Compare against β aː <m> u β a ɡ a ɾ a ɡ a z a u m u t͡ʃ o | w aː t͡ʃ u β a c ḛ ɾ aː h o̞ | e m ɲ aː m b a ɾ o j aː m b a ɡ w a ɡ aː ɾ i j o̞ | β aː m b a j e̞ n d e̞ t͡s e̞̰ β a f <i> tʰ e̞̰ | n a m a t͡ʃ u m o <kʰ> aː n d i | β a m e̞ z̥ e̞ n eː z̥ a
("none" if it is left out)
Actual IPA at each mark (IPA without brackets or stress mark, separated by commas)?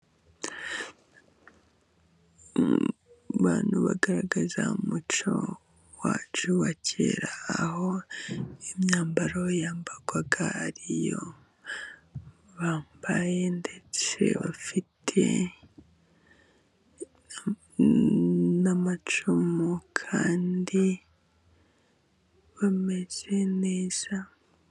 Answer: n, i, kʰ